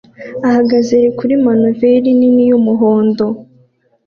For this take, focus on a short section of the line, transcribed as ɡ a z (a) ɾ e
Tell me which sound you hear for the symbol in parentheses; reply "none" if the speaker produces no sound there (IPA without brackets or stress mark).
e